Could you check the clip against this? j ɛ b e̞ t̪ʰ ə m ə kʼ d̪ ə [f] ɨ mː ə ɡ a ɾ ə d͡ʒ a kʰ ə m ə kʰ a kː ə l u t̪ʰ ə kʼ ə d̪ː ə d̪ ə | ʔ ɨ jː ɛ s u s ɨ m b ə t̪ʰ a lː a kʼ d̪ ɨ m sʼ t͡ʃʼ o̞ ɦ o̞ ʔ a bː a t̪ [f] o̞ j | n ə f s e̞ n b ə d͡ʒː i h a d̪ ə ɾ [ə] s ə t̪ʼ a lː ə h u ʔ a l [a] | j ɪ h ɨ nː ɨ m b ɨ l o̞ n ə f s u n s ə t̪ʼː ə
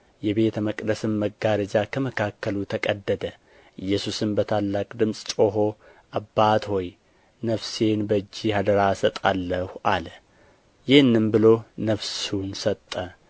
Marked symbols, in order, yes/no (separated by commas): no, no, no, no